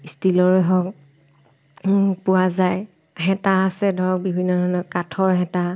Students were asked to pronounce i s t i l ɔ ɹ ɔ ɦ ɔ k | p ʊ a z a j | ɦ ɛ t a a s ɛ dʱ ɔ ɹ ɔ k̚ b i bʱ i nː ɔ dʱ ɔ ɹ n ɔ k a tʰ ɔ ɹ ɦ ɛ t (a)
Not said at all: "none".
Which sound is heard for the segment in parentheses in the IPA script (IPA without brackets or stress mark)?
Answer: a